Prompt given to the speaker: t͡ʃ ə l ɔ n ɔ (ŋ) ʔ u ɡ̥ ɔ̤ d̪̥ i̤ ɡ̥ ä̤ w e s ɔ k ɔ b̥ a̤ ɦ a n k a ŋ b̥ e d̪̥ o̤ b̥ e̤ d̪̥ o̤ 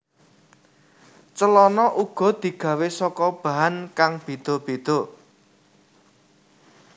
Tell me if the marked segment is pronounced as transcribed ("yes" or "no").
no